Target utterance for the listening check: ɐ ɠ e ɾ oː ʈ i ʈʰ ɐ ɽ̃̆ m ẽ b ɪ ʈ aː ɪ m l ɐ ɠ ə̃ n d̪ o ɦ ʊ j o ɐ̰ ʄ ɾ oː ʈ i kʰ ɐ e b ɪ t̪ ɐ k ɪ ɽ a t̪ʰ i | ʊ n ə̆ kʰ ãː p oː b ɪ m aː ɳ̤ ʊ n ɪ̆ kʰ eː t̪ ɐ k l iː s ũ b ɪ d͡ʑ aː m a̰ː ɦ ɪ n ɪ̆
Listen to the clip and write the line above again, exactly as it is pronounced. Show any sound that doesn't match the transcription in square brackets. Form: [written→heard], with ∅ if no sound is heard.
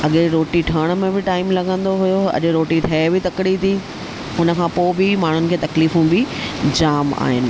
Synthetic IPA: ɐ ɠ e ɾ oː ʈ i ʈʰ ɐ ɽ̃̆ m ẽ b ɪ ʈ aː ɪ m l ɐ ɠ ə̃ n d̪ o ɦ ʊ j o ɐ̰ ʄ ɾ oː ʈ i [kʰ→ʈʰ] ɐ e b ɪ t̪ ɐ k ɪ ɽ [a→i] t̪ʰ i | ʊ n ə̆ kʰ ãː p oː b ɪ m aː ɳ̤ ʊ n ɪ̆ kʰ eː t̪ ɐ k l iː [s→f] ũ b ɪ d͡ʑ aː m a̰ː ɦ ɪ n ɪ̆